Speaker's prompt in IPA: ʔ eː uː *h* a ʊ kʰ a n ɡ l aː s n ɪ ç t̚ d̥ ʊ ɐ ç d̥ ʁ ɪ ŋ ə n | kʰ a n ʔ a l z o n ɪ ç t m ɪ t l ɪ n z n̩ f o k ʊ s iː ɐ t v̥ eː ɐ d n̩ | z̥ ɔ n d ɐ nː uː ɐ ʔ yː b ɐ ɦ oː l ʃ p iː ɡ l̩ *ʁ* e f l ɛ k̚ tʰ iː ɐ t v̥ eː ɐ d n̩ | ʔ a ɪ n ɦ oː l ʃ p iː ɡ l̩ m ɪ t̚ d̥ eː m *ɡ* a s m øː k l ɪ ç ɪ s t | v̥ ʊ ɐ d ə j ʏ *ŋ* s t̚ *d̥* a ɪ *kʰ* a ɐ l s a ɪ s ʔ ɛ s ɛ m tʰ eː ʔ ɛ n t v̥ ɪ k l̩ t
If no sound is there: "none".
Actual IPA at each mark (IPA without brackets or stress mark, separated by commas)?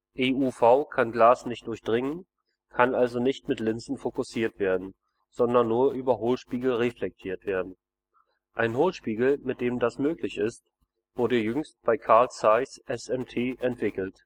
f, ʁ, d, ŋ, b̥, kʰ